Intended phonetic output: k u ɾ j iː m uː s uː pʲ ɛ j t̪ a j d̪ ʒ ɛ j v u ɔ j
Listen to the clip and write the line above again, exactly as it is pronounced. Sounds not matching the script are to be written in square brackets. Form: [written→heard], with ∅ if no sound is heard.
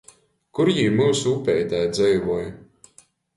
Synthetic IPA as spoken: k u ɾ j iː m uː s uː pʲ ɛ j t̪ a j d̪ [ʒ→z] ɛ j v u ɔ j